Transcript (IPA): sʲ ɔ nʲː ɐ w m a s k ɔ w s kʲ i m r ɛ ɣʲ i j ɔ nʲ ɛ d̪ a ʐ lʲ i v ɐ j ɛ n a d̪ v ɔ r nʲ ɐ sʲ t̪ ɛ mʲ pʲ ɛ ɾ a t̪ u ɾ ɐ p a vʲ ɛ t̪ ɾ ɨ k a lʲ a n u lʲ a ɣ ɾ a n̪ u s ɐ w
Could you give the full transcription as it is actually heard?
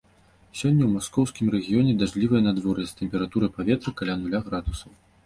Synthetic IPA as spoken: sʲ ɔ nʲː ɐ w m a s k ɔ w s kʲ i m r ɛ ɣʲ i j ɔ nʲ ɛ d̪ a ʐ lʲ i v ɐ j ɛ n a d̪ v ɔ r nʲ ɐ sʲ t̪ ɛ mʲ pʲ ɛ ɾ a t̪ u ɾ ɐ p a vʲ ɛ t̪ ɾ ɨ k a lʲ a n u lʲ a ɣ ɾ a d̪ u s ɐ w